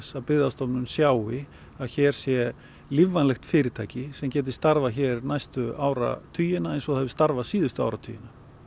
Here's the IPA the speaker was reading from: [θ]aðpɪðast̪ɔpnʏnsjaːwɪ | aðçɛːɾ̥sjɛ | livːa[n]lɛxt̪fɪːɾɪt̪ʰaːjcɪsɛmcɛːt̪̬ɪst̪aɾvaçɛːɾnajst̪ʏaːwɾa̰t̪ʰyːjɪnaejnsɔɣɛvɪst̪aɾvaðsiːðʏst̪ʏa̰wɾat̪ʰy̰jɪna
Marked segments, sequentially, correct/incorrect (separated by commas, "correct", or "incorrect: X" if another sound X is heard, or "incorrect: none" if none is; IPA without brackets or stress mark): incorrect: s, correct